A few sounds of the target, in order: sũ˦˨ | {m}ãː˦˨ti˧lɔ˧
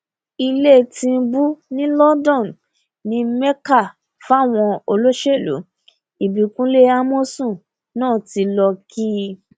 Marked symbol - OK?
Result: no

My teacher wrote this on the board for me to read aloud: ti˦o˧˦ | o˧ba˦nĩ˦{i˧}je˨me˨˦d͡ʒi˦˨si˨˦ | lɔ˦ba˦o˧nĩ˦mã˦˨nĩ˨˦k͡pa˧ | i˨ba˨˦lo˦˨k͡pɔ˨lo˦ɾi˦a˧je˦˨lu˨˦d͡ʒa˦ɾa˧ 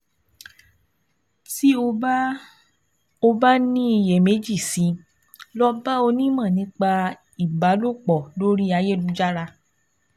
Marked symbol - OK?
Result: yes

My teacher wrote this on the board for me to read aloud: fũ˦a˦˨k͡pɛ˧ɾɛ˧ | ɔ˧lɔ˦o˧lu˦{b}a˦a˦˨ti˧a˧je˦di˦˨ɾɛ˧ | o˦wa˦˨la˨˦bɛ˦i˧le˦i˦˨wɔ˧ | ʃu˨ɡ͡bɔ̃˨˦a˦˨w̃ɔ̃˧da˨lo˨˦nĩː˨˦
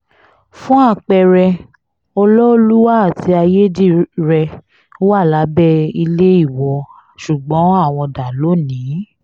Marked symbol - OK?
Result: no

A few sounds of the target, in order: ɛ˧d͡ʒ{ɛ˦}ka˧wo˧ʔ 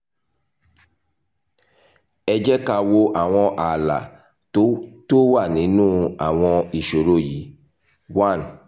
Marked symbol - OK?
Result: yes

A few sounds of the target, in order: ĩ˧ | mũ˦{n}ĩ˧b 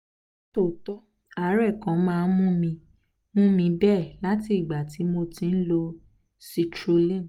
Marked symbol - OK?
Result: no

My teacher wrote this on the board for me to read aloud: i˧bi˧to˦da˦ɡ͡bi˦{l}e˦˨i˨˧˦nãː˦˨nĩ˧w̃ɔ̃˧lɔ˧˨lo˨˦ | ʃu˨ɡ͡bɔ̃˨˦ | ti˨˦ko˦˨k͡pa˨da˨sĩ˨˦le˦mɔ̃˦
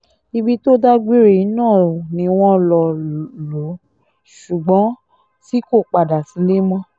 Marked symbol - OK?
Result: no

